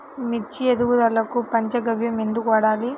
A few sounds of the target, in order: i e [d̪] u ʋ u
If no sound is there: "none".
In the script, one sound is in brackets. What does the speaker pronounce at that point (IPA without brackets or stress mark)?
d̪